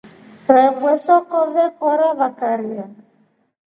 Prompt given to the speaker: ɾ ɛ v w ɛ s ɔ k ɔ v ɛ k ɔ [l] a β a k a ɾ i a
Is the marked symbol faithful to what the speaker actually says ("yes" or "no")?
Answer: no